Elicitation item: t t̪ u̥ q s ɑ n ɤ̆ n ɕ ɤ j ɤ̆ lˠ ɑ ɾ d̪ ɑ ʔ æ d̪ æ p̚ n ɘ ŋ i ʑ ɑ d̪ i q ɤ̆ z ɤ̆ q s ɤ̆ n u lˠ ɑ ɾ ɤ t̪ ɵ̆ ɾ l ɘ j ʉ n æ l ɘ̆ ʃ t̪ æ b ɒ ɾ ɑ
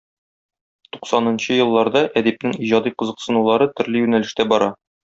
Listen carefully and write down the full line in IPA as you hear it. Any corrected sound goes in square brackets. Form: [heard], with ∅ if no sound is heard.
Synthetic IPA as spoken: t t̪ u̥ q s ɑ n ɤ̆ n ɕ ɤ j ɤ̆ [lˠː] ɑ ɾ d̪ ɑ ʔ æ d̪ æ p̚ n ɘ ŋ i ʑ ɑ d̪ i q ɤ̆ z ɤ̆ q s ɤ̆ n u lˠ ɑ ɾ ɤ t̪ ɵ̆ ɾ l ɘ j ʉ n æ l ɘ̆ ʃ t̪ æ b ɒ ɾ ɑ